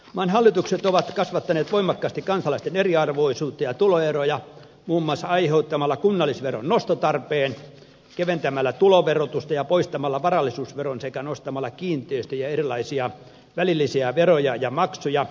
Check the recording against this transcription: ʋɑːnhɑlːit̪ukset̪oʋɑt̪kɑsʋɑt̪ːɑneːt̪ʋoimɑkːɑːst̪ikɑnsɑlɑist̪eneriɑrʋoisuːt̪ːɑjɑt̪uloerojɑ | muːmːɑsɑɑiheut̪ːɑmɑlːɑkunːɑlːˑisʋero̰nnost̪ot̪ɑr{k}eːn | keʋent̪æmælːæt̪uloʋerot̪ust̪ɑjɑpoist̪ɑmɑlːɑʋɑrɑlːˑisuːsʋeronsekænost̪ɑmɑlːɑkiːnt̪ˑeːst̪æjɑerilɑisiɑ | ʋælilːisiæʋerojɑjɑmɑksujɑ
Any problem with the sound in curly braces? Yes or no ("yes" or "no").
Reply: yes